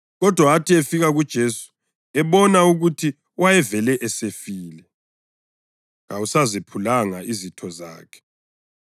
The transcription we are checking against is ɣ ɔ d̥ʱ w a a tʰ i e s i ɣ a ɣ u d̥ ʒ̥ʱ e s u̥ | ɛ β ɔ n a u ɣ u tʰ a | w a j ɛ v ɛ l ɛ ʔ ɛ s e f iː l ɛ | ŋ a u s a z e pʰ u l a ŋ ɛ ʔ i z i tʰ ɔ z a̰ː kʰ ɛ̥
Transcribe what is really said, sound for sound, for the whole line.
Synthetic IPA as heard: ɣ ɔ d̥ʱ w a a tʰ i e f i ɣ a ɣ u d̥ ʒ̥ʱ e s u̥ | ɛ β ɔ n a u ɣ u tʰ i | w a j ɛ v ɛ l ɛ ʔ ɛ s e f iː l ɛ | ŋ a u s a z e pʰ u l a ŋ a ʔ i z i tʰ ɔ z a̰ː kʰ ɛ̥